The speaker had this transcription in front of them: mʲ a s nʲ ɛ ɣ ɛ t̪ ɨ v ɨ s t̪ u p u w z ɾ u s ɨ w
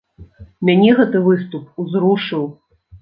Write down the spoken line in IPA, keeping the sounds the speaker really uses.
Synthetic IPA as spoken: mʲ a nʲ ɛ ɣ ɛ t̪ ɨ v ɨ s t̪ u p u z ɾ u ʂ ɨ w

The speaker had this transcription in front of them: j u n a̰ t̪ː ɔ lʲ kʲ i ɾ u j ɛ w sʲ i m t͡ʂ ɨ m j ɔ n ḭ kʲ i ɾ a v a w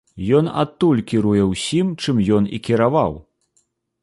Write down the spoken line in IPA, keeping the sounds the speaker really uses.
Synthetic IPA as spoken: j ɔ n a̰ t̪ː u lʲ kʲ i ɾ u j ɛ w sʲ i m t͡ʂ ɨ m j ɔ n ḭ kʲ i ɾ a v a w

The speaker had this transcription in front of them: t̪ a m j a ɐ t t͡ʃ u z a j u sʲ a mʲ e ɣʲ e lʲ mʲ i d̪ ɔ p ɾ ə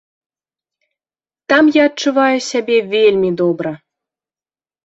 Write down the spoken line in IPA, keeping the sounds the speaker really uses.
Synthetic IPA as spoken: t̪ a m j a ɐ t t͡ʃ u v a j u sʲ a bʲ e vʲ e lʲ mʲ i d̪ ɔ b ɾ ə

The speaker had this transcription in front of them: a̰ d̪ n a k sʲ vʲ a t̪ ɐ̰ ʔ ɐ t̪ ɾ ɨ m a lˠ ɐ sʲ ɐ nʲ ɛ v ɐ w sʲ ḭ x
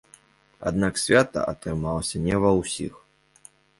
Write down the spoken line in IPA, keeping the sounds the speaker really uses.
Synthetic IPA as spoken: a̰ d̪ n a k sʲ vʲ a t̪ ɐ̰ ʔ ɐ t̪ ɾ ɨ m a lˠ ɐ sʲ ɐ nʲ ɛ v ɐ w sʲ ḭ x

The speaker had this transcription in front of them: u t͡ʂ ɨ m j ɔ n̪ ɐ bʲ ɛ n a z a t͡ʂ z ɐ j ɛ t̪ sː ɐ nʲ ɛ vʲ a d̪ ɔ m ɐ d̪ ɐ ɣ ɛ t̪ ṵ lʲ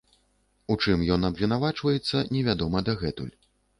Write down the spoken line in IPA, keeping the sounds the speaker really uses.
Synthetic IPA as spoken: u t͡ʂ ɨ m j ɔ n̪ ɐ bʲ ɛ n a v a t͡ʂ v ɐ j ɛ t̪ sː ɐ nʲ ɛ vʲ a d̪ ɔ m ɐ d̪ ɐ ɣ ɛ t̪ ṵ lʲ

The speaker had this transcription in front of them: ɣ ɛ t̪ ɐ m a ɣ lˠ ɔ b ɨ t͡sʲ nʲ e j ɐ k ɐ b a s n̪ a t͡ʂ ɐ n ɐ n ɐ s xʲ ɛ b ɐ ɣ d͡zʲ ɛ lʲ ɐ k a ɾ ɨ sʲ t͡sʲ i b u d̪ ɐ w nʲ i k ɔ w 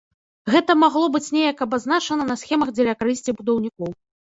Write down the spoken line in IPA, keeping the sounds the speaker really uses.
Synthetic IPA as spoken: ɣ ɛ t̪ ɐ m a ɣ lˠ ɔ b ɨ t͡sʲ nʲ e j ɐ k ɐ b a z n̪ a t͡ʂ ɐ n ɐ n ɐ s xʲ ɛ m ɐ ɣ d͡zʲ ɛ lʲ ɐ k a ɾ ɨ sʲ t͡sʲ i b u d̪ ɐ w nʲ i k ɔ w

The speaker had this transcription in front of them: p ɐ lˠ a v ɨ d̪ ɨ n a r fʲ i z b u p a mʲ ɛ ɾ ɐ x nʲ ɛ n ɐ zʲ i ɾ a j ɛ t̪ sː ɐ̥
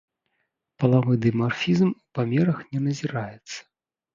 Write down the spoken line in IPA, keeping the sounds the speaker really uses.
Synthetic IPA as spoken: p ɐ lˠ a v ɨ d̪ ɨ m a r fʲ i z m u p a mʲ ɛ ɾ ɐ x nʲ ɛ n ɐ zʲ i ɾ a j ɛ t̪ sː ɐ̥

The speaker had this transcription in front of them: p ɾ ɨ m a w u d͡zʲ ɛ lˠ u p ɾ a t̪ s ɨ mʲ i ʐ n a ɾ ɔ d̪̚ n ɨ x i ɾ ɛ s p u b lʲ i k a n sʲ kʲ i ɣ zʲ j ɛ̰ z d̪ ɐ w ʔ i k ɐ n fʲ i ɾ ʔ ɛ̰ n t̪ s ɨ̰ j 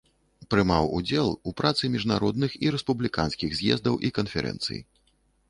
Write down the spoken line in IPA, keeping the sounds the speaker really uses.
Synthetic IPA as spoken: p ɾ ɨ m a w u d͡zʲ ɛ lˠ u p ɾ a t̪ s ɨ mʲ i ʐ n a ɾ ɔ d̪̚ n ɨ x i ɾ ɛ s p u b lʲ i k a n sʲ kʲ i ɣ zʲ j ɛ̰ z d̪ ɐ w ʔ i k ɐ n fʲ ɛ ɾ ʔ ɛ̰ n t̪ s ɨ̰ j

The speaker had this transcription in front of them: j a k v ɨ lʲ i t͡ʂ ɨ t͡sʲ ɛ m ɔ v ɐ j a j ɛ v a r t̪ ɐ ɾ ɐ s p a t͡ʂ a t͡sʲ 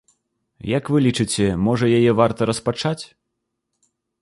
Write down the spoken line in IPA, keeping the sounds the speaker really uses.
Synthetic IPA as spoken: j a k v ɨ lʲ i t͡ʂ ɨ t͡sʲ ɛ m ɔ ʐ ɐ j a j ɛ v a r t̪ ɐ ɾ ɐ s p a t͡ʂ a t͡sʲ

